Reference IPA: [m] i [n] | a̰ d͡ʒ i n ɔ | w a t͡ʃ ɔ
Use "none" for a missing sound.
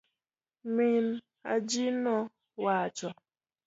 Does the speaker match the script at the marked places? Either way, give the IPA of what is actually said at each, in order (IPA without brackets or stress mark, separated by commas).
m, n